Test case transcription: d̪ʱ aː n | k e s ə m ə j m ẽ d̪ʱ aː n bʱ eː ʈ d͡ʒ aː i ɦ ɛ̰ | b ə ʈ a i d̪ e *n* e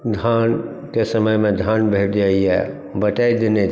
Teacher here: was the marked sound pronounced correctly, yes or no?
yes